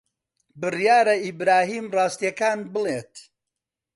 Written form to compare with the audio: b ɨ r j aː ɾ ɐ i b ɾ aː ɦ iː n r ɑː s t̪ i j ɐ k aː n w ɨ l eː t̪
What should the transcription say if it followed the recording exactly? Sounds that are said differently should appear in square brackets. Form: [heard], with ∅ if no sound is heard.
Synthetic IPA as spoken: b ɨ r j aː ɾ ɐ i b ɾ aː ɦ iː [m] r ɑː s t̪ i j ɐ k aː n [b] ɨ l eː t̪